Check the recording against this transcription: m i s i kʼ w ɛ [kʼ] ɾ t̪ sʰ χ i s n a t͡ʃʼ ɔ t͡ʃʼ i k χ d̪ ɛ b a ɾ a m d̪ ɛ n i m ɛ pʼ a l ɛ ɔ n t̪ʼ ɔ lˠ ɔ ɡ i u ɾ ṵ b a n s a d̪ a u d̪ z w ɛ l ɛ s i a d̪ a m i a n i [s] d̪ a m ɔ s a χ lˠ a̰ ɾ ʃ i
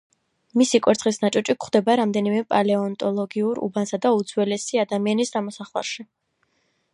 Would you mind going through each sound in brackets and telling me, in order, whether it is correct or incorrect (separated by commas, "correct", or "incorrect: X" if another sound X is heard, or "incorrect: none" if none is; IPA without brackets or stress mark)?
incorrect: none, correct